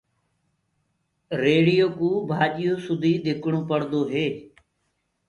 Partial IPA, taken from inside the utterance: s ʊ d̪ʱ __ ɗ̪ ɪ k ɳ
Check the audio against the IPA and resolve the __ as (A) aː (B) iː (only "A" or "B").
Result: B